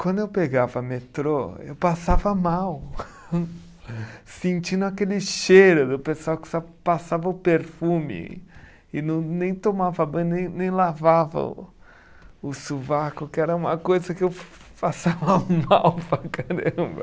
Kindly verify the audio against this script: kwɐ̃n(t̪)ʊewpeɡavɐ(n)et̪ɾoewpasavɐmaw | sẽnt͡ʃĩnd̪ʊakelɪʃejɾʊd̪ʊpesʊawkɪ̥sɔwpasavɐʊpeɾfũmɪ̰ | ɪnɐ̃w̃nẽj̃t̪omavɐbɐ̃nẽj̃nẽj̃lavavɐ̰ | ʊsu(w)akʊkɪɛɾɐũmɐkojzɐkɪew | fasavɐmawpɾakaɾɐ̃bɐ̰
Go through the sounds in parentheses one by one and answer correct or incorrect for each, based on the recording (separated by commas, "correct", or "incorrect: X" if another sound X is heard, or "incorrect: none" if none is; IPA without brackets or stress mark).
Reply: incorrect: d̪, incorrect: m, incorrect: v